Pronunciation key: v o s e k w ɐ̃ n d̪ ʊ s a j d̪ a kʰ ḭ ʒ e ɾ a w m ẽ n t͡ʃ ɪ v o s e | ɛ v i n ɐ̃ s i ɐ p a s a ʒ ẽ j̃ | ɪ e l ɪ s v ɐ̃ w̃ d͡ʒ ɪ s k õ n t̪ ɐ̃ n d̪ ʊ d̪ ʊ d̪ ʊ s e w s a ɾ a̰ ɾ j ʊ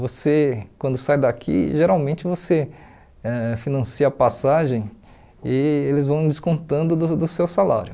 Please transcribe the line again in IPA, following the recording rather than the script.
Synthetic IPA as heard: v o s e k w ɐ̃ n d̪ ʊ s a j d̪ a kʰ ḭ ʒ e ɾ a w m ẽ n t͡ʃ ɪ v o s e | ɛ f i n ɐ̃ s i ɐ p a s a ʒ ẽ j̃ | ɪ e l ɪ z v ɐ̃ w̃ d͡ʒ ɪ s k õ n t̪ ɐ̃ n d̪ ʊ d̪ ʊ d̪ ʊ s e w s a l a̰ ɾ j ʊ